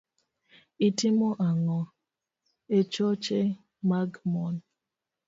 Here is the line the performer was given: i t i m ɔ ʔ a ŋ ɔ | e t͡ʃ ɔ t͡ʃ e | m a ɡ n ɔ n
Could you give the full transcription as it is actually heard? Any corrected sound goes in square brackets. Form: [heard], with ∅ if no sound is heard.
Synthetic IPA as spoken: i t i m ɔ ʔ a ŋ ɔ | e t͡ʃ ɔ t͡ʃ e | m a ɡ [m] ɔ n